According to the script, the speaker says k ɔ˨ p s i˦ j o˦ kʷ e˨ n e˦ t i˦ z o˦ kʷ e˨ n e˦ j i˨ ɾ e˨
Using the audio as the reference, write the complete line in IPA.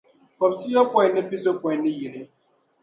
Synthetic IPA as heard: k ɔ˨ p s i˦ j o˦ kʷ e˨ n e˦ p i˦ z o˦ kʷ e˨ n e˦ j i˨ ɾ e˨